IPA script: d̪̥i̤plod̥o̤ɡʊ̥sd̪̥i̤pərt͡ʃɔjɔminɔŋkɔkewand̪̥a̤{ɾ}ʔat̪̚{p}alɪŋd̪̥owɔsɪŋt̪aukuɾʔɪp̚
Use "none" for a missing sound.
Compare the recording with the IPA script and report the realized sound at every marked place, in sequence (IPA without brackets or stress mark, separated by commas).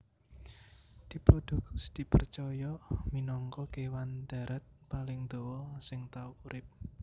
ɾ, p